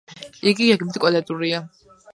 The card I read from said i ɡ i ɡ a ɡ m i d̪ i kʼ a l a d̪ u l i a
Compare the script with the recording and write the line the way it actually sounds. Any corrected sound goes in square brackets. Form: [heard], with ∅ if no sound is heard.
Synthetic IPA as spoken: i ɡ i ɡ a ɡ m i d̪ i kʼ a l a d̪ u [ɾ] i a